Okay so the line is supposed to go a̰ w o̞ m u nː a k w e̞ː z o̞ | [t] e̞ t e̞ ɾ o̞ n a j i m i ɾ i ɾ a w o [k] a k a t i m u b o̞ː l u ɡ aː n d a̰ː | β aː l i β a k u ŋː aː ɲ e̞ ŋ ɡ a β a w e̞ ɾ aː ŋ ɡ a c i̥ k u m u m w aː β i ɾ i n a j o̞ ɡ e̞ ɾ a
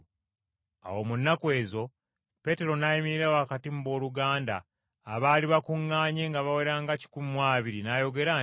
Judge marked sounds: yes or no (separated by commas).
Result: no, no